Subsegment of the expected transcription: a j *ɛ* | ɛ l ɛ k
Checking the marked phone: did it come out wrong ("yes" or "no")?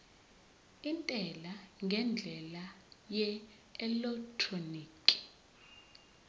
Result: no